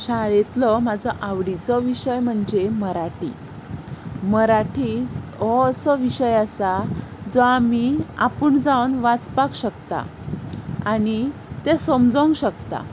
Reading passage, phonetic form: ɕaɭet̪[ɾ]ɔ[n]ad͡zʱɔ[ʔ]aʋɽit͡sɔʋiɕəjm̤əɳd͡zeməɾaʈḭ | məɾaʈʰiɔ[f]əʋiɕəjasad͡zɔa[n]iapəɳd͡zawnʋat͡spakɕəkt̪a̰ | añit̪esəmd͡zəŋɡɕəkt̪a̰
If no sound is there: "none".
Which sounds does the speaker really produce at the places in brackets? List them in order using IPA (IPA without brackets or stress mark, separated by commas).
l, m, ʔ, s, m